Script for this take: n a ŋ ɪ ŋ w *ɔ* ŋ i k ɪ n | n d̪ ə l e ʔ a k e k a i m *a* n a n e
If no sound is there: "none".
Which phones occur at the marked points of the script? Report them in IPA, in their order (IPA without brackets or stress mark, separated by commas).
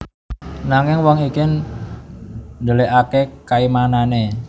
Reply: ɔ, a